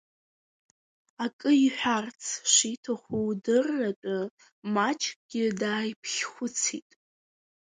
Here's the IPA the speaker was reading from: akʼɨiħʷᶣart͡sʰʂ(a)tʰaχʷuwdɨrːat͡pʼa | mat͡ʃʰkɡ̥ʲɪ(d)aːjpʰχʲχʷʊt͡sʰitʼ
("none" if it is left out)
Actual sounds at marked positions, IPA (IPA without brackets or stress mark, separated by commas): i, d